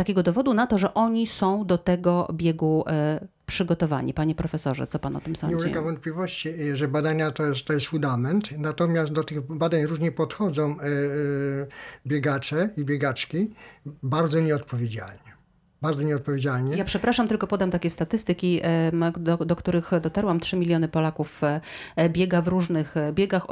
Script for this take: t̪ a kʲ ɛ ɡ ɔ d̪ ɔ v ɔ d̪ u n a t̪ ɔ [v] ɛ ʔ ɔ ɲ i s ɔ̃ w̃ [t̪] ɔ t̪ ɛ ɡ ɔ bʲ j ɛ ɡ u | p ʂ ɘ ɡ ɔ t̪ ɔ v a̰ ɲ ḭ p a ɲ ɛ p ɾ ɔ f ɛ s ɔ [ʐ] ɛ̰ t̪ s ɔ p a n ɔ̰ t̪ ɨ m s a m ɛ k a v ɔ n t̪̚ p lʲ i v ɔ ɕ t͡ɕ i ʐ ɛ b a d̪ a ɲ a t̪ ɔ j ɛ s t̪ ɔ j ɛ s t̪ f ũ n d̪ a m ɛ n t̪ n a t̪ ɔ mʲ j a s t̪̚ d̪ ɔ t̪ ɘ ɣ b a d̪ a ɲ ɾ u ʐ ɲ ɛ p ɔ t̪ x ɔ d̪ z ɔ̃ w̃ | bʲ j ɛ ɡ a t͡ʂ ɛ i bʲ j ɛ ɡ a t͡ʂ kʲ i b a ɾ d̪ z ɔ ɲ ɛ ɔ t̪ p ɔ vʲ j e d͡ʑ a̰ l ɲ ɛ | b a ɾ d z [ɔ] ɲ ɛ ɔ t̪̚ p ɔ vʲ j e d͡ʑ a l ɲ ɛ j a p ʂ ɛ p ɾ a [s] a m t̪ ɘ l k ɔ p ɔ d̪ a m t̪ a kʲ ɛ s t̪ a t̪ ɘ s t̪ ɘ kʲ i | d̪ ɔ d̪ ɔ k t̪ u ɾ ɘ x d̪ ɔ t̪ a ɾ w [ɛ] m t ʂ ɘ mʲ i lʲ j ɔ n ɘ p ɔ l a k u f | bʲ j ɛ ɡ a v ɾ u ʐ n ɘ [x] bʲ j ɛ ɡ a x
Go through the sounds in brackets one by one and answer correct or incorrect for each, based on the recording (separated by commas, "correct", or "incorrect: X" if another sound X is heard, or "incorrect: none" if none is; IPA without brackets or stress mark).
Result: incorrect: ʐ, incorrect: d̪, correct, correct, incorrect: ʂ, incorrect: a, correct